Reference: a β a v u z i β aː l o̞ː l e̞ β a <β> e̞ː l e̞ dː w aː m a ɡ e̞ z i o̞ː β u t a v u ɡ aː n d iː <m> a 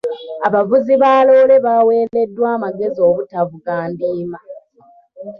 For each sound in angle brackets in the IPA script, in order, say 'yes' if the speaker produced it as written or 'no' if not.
no, yes

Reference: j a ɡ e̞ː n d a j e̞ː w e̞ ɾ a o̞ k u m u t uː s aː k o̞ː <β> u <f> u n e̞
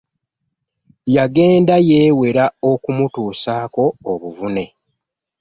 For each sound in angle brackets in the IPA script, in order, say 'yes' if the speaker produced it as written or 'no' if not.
yes, no

